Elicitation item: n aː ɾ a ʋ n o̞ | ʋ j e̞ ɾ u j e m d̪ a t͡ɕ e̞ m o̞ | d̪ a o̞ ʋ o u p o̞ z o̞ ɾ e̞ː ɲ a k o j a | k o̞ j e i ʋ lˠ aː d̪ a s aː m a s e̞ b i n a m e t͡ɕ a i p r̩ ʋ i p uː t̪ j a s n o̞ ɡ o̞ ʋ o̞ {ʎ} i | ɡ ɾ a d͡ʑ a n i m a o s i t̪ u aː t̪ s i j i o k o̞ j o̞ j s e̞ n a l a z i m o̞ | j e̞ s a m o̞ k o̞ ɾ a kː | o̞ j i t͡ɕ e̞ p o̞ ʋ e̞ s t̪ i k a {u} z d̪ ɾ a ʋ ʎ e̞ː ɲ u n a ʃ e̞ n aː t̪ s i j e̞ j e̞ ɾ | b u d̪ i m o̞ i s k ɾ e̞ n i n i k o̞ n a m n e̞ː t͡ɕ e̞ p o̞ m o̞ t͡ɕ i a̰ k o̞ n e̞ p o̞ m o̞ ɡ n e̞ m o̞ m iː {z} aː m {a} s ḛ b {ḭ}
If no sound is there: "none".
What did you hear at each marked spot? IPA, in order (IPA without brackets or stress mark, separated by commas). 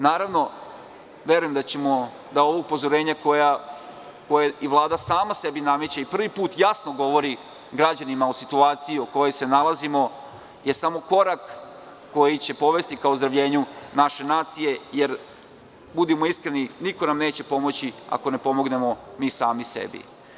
ɾ, o, s, i, ḭ